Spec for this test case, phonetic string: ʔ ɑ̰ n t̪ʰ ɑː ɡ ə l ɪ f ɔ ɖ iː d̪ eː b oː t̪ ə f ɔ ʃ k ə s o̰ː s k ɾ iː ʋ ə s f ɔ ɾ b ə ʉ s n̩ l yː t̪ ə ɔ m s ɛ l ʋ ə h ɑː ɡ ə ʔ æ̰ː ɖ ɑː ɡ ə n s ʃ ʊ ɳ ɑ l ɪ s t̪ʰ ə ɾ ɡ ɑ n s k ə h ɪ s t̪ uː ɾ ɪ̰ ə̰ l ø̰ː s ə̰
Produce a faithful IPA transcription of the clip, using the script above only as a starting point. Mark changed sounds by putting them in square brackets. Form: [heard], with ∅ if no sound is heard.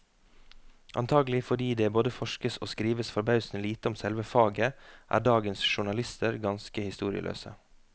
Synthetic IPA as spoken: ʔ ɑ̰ n t̪ʰ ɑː ɡ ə l ɪ f ɔ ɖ iː d̪ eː b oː [d̪] ə f ɔ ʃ k ə s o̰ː s k ɾ iː ʋ ə s f ɔ ɾ b [ɑ] ʉ s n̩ l [iː] t̪ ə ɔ m s ɛ l ʋ ə [f] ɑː ɡ ə ʔ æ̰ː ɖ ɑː ɡ ə n s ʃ ʊ ɳ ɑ l ɪ s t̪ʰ ə ɾ ɡ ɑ n s k ə h ɪ s t̪ uː ɾ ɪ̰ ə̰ l ø̰ː s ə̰